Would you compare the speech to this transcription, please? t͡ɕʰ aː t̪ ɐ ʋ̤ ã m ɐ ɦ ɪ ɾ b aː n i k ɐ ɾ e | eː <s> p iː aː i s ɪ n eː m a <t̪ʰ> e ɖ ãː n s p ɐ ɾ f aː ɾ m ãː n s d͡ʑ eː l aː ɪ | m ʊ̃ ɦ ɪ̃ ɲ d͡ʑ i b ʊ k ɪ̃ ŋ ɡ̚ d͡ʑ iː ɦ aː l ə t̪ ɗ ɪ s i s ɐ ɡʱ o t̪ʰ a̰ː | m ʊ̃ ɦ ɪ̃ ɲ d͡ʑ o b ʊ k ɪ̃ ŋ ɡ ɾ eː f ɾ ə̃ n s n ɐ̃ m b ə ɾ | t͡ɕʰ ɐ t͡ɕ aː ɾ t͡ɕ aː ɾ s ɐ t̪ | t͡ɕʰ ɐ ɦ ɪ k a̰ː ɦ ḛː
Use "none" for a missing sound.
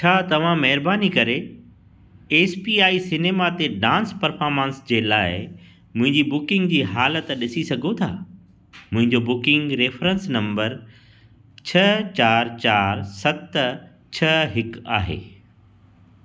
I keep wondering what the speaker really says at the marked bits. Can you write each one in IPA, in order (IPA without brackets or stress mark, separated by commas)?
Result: s, t̪